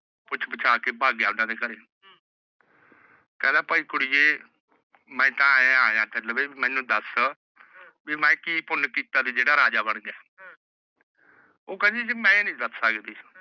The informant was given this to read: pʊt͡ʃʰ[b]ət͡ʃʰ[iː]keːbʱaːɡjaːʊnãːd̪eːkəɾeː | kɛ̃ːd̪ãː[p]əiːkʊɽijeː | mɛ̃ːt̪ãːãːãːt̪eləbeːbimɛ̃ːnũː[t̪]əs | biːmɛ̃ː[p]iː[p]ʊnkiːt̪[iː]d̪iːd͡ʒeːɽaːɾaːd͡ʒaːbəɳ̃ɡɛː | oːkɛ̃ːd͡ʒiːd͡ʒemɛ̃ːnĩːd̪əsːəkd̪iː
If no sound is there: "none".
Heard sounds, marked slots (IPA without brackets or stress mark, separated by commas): b, aː, p, d̪, k, p, aː